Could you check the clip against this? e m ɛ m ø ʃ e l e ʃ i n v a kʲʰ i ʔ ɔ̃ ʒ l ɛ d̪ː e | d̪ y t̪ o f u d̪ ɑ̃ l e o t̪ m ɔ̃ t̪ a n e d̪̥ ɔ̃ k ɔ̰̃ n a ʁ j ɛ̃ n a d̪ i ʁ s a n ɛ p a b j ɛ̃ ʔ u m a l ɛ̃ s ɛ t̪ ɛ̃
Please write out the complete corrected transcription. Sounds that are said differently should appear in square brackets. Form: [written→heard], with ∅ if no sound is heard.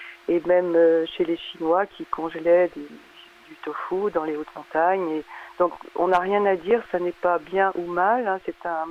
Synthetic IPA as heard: e m ɛ m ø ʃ e l e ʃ i n [v→w] a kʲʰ i [ʔ→k] ɔ̃ ʒ l ɛ [d̪ː→d̪] e | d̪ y t̪ o f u d̪ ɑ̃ l e o t̪ m ɔ̃ t̪ a [n→ɲ] e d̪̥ ɔ̃ k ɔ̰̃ n a ʁ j ɛ̃ n a d̪ i ʁ s a n ɛ p a b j ɛ̃ ʔ u m a l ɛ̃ s ɛ t̪ ɛ̃